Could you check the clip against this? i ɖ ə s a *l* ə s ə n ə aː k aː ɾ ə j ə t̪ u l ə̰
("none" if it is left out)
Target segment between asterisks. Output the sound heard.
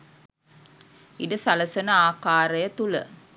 l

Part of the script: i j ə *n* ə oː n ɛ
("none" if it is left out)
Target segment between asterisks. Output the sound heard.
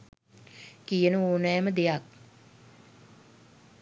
n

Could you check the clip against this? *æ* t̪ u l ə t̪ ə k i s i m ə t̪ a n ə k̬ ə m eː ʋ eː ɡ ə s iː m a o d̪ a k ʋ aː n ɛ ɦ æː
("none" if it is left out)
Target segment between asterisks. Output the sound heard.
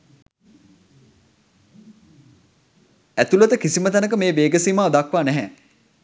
æ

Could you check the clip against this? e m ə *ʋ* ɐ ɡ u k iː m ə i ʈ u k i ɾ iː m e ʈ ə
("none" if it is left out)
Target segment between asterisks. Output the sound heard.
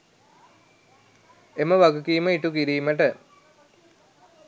ʋ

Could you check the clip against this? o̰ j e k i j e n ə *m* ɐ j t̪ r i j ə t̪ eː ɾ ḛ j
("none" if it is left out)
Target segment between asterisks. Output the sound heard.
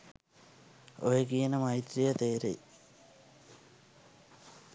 m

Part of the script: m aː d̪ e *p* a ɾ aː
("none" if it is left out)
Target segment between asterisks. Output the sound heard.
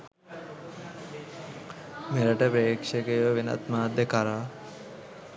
k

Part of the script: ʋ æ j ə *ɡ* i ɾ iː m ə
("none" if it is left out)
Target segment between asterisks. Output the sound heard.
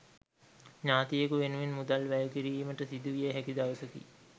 k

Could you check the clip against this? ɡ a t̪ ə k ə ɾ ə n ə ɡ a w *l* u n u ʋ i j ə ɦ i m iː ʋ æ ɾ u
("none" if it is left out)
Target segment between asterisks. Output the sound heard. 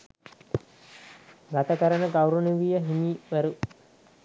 ɾ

